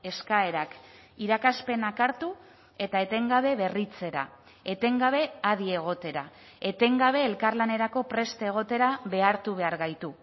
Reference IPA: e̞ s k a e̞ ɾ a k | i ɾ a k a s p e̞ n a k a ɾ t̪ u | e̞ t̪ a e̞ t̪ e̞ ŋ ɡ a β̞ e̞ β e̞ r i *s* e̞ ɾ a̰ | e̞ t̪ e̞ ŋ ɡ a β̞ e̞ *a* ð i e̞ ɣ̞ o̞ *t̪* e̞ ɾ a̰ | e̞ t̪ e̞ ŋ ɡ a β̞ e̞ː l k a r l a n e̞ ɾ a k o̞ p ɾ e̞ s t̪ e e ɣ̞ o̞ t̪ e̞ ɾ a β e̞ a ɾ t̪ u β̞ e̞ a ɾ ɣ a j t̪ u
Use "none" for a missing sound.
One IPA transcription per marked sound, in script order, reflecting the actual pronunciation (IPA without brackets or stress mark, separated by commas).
t͡s, a, t̪